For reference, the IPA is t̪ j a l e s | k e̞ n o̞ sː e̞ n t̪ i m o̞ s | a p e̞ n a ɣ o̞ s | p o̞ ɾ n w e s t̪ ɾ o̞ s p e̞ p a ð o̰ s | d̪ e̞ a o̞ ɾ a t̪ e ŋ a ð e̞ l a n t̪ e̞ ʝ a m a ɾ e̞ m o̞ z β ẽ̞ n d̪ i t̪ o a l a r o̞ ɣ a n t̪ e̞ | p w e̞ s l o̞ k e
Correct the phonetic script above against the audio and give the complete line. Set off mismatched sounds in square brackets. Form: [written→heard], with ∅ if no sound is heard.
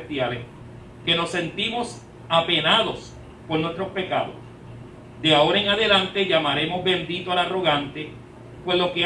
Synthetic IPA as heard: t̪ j a l e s | k e̞ n o̞ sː e̞ n t̪ i m o̞ s | a p e̞ n a [ɣ→ð] o̞ s | p o̞ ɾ n w e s t̪ ɾ o̞ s p e̞ [p→k] a ð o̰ s | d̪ e̞ a o̞ ɾ a [t̪→∅] e ŋ a ð e̞ l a n t̪ e̞ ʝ a m a ɾ e̞ m o̞ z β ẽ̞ n d̪ i t̪ o a l a r o̞ ɣ a n t̪ e̞ | p w e̞ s l o̞ k e